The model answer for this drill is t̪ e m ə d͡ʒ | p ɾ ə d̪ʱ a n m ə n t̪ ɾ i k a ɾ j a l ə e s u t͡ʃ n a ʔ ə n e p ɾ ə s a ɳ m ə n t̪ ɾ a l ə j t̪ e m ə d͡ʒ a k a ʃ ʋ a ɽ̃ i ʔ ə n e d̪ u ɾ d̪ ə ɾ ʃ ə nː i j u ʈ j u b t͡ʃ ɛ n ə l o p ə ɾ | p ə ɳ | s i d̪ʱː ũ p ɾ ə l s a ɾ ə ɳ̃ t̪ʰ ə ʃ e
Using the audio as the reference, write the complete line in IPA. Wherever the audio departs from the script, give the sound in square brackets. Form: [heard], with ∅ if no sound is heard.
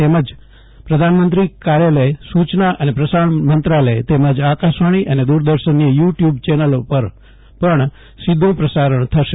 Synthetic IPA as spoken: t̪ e m ə d͡ʒ | p ɾ ə d̪ʱ a n m ə n t̪ ɾ i k a ɾ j a l ə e s u t͡ʃ n a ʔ ə n e p ɾ ə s a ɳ m ə n t̪ ɾ a l ə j t̪ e m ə d͡ʒ a k a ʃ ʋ a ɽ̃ i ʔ ə n e d̪ u ɾ d̪ ə ɾ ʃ ə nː i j u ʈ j u b t͡ʃ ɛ n ə l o p ə ɾ | p ə ɳ | s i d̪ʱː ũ p ɾ ə [∅] s a ɾ ə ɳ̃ t̪ʰ ə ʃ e